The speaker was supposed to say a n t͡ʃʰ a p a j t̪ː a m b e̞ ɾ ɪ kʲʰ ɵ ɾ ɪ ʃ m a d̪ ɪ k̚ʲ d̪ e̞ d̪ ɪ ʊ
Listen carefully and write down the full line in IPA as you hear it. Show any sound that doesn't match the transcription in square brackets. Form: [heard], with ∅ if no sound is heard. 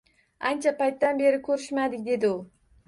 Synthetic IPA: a n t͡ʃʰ a p a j t̪ː a [n] b e̞ ɾ ɪ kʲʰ ɵ ɾ ɪ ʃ m a d̪ ɪ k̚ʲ d̪ e̞ d̪ ɪ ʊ

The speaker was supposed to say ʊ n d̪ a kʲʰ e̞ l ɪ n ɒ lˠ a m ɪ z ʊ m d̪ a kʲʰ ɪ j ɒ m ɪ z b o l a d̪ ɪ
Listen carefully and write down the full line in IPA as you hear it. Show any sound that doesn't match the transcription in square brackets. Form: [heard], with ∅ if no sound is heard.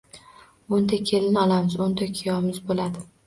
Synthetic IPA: ʊ n d̪ a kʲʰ e̞ l ɪ n ɒ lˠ a m ɪ z ʊ [n] d̪ a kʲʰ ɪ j ɒ m ɪ z b o l a d̪ ɪ

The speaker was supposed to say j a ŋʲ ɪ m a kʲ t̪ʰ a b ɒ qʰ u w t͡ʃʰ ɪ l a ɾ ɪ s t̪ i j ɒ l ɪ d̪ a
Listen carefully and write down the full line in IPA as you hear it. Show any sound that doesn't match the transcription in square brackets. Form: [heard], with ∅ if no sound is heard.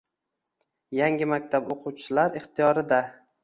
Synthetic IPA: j a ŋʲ ɪ m a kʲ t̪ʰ a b [o] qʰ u w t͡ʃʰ ɪ l a ɾ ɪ [χ] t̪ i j ɒ [ɾ] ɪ d̪ a

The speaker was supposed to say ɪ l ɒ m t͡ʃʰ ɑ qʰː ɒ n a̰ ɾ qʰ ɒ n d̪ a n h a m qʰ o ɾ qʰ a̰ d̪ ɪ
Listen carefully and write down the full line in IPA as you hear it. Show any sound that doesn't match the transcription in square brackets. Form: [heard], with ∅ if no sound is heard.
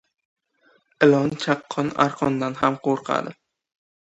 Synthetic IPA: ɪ l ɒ [n] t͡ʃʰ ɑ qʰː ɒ n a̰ ɾ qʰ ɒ n d̪ a n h a m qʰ o ɾ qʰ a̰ d̪ ɪ

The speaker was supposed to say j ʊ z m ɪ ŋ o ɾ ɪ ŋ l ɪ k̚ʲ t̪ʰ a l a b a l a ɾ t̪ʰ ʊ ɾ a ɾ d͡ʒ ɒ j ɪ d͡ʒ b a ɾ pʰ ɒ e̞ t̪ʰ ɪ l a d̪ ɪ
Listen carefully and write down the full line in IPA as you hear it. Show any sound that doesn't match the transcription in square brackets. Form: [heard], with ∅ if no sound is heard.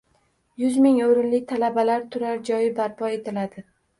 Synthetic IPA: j ʊ z m ɪ ŋ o ɾ ɪ [n] l ɪ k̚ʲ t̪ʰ a l a b a l a ɾ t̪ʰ ʊ ɾ a ɾ d͡ʒ ɒ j ɪ [∅] b a ɾ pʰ ɒ e̞ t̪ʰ ɪ l a d̪ ɪ

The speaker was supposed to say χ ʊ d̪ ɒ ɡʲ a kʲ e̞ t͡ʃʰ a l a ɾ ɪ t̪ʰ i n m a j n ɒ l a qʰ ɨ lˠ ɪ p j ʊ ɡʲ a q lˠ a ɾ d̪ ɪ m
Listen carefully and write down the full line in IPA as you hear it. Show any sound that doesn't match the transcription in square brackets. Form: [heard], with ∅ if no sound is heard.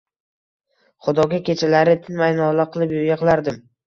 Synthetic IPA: χ ʊ d̪ ɒ ɡʲ a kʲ e̞ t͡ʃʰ a l a ɾ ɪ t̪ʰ [ɪ] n m a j n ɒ l a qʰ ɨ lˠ ɪ p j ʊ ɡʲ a q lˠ a ɾ d̪ ɪ m

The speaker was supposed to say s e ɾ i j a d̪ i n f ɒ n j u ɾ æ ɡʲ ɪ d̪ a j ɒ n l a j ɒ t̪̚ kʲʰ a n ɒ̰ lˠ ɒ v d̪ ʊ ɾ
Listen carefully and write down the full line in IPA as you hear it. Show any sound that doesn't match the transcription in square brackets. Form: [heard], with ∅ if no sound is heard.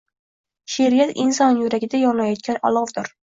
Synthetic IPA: [ʃ] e ɾ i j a [t̪] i n [s] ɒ n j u ɾ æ ɡʲ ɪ d̪ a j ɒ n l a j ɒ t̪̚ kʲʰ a n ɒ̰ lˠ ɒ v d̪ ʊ ɾ

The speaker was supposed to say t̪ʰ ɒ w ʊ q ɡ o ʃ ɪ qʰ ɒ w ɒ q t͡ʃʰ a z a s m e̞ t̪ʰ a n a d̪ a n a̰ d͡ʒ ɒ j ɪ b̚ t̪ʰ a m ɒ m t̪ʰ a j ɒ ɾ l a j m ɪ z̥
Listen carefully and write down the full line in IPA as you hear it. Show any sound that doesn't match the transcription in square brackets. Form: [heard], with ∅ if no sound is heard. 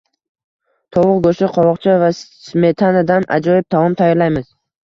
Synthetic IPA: t̪ʰ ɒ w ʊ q ɡ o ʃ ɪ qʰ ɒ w ɒ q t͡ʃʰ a [v] a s m e̞ t̪ʰ a n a d̪ a n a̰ d͡ʒ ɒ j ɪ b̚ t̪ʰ a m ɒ m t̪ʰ a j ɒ ɾ l a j m ɪ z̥

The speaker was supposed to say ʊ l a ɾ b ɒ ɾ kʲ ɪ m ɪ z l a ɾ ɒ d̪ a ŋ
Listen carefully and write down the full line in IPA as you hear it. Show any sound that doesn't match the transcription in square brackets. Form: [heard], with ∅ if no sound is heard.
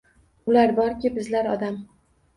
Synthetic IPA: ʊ l a ɾ b ɒ ɾ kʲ ɪ [b] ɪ z l a ɾ ɒ d̪ a [m]

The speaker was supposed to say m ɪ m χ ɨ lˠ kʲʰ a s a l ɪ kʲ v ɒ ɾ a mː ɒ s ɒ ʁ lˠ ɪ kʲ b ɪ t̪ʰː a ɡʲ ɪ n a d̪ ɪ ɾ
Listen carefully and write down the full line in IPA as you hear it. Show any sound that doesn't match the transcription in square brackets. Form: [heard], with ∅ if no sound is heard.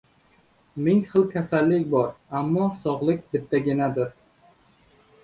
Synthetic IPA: m ɪ [ŋ] χ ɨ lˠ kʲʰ a s a [lː] ɪ kʲ [b] ɒ ɾ a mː ɒ s ɒ ʁ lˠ ɪ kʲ b ɪ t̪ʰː a ɡʲ ɪ n a d̪ ɪ ɾ

